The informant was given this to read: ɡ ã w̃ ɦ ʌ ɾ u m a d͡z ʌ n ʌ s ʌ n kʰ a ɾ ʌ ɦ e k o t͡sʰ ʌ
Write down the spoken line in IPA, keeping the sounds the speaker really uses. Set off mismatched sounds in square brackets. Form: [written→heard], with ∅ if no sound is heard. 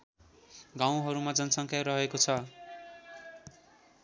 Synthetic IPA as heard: ɡ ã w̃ ɦ ʌ ɾ u m a d͡z ʌ n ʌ s ʌ [n→ŋ] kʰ a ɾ ʌ ɦ e k o t͡sʰ ʌ